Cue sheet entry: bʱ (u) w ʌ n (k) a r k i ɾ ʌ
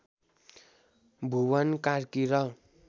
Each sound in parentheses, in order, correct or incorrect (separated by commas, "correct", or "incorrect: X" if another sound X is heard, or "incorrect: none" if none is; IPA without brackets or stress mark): correct, correct